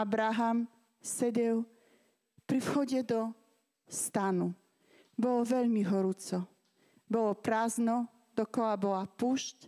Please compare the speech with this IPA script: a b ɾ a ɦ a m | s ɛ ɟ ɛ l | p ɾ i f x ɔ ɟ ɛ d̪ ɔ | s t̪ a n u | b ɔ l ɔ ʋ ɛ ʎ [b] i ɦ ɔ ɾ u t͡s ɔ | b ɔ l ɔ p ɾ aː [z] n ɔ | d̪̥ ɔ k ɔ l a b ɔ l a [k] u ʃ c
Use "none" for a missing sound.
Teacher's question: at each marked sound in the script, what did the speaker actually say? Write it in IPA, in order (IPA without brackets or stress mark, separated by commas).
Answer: m, z, p